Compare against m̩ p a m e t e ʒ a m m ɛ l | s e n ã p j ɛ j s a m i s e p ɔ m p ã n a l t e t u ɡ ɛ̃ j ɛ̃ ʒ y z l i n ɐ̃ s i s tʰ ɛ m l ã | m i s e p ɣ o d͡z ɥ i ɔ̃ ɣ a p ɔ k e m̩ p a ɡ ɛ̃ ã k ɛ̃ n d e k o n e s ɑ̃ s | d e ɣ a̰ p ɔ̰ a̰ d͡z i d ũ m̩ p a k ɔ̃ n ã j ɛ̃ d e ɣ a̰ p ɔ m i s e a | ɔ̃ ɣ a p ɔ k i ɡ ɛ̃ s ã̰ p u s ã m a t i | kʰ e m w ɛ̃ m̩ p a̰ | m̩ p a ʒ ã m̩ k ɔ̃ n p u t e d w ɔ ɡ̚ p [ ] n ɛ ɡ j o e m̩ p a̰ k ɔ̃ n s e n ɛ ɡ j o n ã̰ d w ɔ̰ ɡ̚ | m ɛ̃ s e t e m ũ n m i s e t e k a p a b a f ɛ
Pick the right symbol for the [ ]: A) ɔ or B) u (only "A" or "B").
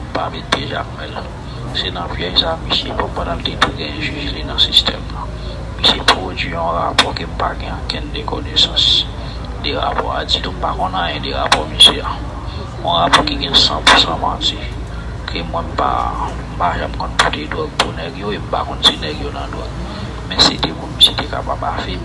B